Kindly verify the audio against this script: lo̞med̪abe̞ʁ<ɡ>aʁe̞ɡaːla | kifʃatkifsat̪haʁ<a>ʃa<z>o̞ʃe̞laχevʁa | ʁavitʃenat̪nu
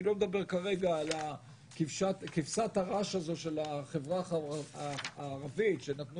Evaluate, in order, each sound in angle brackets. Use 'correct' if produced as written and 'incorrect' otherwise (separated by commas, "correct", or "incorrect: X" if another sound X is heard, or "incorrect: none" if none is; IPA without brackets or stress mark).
incorrect: k, correct, correct